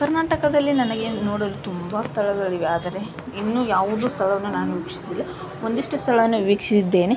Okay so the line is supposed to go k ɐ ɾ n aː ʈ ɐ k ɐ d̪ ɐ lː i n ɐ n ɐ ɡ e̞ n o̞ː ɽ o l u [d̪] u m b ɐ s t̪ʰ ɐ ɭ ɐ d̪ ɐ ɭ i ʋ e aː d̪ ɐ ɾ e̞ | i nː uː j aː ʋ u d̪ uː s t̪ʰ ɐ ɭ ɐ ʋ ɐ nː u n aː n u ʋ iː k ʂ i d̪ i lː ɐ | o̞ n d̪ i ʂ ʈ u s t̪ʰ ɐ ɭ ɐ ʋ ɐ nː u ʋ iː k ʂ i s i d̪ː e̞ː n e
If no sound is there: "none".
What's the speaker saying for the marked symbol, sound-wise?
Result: t̪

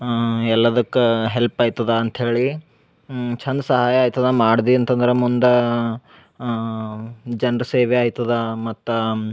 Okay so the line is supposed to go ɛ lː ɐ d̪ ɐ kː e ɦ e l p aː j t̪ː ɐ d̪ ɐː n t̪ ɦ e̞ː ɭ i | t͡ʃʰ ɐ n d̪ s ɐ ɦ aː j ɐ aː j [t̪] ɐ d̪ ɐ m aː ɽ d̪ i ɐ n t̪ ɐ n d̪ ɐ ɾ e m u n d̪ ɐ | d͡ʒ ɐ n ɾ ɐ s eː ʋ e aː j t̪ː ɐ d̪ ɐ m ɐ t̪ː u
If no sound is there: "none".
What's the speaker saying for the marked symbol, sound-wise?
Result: t̪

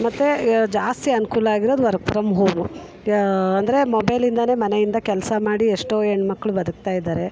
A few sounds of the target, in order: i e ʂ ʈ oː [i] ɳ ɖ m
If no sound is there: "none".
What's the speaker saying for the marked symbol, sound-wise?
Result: e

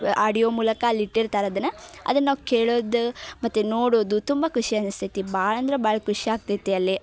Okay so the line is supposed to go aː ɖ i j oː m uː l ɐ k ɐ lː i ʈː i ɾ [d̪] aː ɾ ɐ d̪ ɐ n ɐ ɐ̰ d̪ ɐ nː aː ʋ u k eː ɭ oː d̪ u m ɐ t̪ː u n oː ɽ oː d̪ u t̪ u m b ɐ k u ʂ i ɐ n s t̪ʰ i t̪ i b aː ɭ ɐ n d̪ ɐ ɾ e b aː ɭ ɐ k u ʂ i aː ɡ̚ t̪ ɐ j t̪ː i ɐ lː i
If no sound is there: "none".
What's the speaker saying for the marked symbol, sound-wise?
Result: t̪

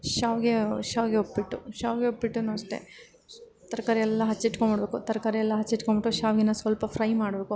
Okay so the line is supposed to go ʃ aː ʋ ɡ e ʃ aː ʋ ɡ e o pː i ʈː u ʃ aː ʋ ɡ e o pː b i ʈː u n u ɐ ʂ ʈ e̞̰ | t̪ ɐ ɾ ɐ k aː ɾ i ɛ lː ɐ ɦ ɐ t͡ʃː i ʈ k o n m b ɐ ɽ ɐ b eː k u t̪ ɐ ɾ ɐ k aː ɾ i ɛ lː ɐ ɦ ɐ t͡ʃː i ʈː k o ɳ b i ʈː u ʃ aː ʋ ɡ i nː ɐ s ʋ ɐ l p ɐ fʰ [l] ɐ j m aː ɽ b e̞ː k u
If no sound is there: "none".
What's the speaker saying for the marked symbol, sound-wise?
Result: ɾ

